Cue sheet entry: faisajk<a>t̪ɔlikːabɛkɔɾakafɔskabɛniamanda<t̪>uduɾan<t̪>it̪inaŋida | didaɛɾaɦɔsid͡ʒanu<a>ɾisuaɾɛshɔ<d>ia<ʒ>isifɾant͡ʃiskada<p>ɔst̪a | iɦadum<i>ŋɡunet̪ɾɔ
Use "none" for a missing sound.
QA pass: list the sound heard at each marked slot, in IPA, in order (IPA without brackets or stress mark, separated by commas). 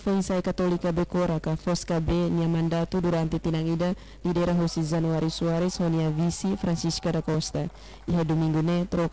a, t̪, t̪, a, n, v, k, i